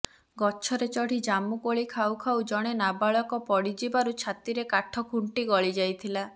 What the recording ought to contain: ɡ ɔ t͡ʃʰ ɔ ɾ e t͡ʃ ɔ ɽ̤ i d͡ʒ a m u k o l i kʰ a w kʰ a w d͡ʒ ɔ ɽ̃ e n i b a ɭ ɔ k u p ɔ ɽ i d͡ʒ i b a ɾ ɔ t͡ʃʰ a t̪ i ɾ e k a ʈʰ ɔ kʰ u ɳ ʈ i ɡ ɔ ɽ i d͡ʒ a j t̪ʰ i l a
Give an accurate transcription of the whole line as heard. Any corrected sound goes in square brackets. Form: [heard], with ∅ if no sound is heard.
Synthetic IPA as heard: ɡ ɔ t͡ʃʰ ɔ ɾ e t͡ʃ ɔ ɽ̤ i d͡ʒ a m u k o [ɭ] i kʰ a w kʰ a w d͡ʒ ɔ ɽ̃ e n [a] b a ɭ ɔ k [ɔ] p ɔ ɽ i d͡ʒ i b a ɾ [u] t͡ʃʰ a t̪ i ɾ e k a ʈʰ ɔ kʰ u ɳ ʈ i ɡ ɔ [ɭ] i d͡ʒ a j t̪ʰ i l a

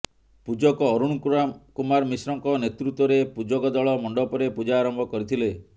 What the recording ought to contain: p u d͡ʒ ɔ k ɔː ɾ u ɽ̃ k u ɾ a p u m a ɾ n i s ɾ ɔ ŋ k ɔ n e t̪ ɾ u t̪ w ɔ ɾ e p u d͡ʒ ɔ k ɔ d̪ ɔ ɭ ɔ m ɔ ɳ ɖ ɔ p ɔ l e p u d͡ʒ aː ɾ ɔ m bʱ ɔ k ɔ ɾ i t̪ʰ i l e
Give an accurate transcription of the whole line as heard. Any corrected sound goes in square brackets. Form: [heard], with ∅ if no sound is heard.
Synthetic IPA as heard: p u d͡ʒ ɔ k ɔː ɾ u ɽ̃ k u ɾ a [k] u m a ɾ [m] i s ɾ ɔ ŋ k ɔ n e t̪ ɾ u t̪ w ɔ ɾ e p u d͡ʒ ɔ k ɔ d̪ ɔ ɭ ɔ m ɔ ɳ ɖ ɔ p ɔ [ɾ] e p u d͡ʒ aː ɾ ɔ m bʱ ɔ k ɔ ɾ i t̪ʰ i l e

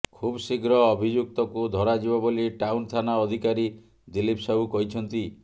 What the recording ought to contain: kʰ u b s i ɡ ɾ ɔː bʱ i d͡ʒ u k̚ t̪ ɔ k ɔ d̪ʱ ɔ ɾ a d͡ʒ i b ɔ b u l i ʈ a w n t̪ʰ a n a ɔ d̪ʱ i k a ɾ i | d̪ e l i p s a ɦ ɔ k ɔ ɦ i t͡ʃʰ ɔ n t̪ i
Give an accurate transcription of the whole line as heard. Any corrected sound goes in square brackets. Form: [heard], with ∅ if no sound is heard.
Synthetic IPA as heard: kʰ u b s i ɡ ɾ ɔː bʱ i d͡ʒ u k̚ t̪ ɔ k [u] d̪ʱ ɔ ɾ a d͡ʒ i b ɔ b [o] l i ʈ a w n t̪ʰ a n a ɔ d̪ʱ i k a ɾ i | d̪ [i] l i p s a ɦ [u] k ɔ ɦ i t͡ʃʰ ɔ n t̪ i

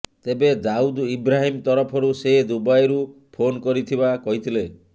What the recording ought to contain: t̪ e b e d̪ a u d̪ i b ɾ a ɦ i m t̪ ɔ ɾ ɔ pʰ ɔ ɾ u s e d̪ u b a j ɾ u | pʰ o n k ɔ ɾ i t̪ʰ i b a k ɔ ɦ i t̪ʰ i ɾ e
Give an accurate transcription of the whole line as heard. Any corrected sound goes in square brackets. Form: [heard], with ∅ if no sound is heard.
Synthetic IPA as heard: t̪ e b e d̪ a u d̪ i b ɾ a ɦ i m t̪ ɔ ɾ ɔ pʰ ɔ ɾ u s e d̪ u b a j ɾ u | pʰ o n k ɔ ɾ i t̪ʰ i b a k ɔ ɦ i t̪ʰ i [l] e

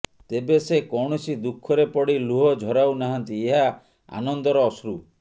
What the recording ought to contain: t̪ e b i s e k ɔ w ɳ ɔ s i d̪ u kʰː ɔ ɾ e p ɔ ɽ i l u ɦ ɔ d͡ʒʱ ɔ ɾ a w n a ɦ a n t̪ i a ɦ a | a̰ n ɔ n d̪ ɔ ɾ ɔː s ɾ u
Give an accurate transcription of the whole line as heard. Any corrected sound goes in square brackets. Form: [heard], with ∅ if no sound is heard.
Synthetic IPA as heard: t̪ e b [e] s e k ɔ w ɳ ɔ s i d̪ u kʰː ɔ ɾ e p ɔ ɽ i l u ɦ ɔ d͡ʒʱ ɔ ɾ a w n a ɦ a n t̪ i [e] ɦ a | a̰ n ɔ n d̪ ɔ ɾ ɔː s ɾ u

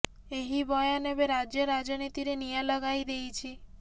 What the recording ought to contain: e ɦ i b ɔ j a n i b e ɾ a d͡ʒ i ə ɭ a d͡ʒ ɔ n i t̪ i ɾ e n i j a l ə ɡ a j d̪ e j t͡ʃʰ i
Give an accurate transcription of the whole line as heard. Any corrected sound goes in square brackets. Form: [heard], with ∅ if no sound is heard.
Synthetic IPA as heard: e ɦ i b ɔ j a n [e] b e ɾ a d͡ʒ [j] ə [ɾ] a d͡ʒ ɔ n i t̪ i ɾ e n i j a l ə ɡ a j d̪ e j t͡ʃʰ i

